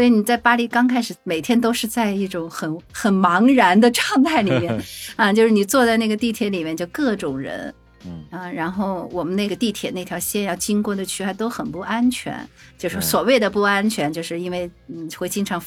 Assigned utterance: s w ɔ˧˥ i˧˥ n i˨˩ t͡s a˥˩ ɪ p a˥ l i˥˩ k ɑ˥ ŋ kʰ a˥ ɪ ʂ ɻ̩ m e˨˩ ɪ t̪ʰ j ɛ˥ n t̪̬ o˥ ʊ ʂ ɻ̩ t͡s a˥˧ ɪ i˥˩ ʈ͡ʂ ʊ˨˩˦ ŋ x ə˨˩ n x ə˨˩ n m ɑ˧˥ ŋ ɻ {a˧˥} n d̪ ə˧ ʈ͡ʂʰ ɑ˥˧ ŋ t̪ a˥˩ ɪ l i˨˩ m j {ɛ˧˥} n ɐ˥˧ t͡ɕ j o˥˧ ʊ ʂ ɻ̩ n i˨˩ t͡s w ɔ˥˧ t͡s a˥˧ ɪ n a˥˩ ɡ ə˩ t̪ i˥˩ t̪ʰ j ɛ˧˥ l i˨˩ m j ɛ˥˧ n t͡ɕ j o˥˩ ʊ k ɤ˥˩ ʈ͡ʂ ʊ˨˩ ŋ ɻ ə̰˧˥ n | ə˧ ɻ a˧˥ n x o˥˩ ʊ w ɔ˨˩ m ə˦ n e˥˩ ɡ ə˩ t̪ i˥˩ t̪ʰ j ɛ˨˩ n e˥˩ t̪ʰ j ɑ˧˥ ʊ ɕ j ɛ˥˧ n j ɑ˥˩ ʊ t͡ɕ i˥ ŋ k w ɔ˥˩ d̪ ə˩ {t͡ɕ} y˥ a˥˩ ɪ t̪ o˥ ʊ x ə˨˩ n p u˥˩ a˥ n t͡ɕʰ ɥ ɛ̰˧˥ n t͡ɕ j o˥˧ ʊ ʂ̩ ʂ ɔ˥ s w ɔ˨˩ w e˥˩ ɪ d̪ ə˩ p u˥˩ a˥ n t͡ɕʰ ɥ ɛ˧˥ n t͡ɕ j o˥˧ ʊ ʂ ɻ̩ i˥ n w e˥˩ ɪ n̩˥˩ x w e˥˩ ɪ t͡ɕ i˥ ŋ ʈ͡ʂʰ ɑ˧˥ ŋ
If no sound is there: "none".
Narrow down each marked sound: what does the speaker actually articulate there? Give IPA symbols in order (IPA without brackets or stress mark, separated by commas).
a˧˥, ɛ˥˩, t͡ɕʰ